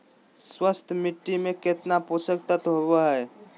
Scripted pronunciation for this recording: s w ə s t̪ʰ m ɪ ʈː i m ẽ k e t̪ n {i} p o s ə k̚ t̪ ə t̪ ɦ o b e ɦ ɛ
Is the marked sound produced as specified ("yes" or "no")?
no